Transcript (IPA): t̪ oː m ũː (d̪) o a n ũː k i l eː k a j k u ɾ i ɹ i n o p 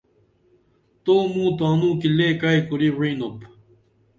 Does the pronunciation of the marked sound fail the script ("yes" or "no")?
yes